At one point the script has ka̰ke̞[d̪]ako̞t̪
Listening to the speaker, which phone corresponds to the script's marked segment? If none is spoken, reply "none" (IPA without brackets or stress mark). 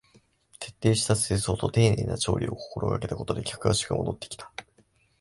t̪